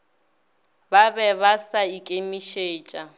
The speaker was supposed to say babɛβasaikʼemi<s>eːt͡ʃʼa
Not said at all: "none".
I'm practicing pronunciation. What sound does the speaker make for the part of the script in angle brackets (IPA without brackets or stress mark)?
ʃ